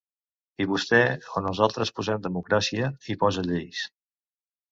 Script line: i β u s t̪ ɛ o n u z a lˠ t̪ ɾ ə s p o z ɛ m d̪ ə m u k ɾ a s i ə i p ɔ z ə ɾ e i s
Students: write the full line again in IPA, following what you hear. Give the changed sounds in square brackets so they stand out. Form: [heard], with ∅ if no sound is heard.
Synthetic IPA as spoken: i β u s t̪ ɛ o n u z a lˠ t̪ ɾ ə s p [u] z ɛ m d̪ ə m u k ɾ a s i ə i p ɔ z ə [ʎ] e [j] s